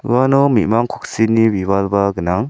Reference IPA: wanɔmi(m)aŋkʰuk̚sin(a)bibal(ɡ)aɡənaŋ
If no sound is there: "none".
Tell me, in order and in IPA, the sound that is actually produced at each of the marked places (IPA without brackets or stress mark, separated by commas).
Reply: m, i, b